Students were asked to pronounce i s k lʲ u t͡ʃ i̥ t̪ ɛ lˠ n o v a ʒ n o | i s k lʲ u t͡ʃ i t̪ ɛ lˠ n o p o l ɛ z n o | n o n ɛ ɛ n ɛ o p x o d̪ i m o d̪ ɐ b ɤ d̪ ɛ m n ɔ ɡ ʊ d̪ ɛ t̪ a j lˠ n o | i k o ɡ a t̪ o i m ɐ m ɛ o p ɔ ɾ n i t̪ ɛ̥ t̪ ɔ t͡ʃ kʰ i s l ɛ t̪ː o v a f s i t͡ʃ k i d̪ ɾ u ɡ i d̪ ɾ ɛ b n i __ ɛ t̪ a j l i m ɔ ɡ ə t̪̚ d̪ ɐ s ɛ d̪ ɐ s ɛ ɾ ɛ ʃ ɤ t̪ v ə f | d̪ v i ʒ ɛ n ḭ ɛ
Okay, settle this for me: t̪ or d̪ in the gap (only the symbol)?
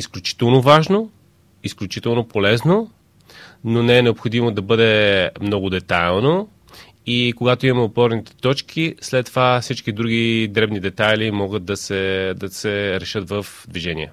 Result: d̪